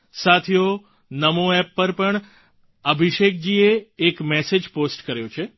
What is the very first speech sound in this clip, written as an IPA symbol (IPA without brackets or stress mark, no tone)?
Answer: s